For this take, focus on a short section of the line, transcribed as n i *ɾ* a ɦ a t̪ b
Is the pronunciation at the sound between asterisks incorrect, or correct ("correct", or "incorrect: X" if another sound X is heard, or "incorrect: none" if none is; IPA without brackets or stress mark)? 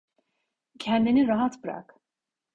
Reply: correct